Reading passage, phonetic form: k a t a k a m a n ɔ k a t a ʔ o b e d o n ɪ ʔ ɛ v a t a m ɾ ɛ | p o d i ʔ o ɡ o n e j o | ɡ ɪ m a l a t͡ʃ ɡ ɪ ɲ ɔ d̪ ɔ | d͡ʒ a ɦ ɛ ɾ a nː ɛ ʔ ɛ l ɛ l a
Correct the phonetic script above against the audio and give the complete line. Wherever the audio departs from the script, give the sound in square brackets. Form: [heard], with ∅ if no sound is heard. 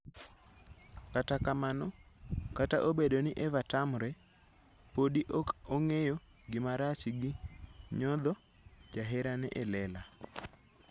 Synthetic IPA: k a t a k a m a n ɔ k a t a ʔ o b e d o n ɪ ʔ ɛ v a t a m ɾ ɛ | p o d i ʔ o [k] o [ŋ] e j o | ɡ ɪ m a [ɾ] a t͡ʃ ɡ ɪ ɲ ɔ d̪ ɔ | d͡ʒ a ɦ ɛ ɾ a [n] ɛ ʔ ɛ l ɛ l a